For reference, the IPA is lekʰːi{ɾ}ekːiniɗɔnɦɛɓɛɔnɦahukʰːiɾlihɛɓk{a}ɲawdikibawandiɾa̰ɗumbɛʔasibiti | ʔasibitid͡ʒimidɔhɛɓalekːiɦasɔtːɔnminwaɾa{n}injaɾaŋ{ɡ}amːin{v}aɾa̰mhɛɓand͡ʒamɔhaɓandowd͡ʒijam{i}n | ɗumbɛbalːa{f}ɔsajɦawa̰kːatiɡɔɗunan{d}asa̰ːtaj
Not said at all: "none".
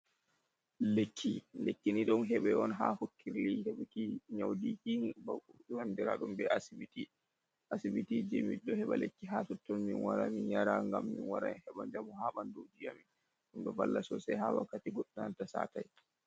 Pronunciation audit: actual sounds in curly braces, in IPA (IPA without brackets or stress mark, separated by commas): l, i, m, ɡ, w, i, s, t